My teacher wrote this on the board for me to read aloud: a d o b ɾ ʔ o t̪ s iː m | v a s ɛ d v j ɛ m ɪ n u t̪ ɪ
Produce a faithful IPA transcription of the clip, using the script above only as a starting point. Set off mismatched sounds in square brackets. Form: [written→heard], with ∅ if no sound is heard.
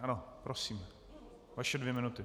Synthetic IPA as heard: a [d→n] o [b→p] ɾ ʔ o [t̪→∅] s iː m | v a [s→ʃ] ɛ d v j ɛ m ɪ n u t̪ ɪ